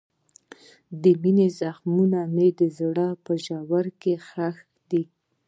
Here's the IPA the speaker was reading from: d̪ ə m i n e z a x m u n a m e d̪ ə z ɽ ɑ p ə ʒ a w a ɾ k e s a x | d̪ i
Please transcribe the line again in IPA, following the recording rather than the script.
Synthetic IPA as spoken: d̪ ə m i n e z a x m u n a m e d̪ ə z ɽ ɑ p ə ʒ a w a ɾ k e x a x | d̪ i